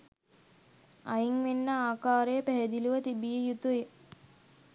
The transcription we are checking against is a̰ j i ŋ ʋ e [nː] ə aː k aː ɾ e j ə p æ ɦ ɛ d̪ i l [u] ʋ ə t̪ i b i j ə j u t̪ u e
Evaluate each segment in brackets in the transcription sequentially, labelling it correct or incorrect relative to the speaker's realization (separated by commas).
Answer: correct, correct